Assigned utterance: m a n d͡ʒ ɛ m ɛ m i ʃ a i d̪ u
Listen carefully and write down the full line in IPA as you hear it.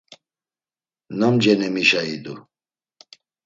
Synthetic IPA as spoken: n a m d͡ʒ ɛ n ɛ m i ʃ a i d̪ u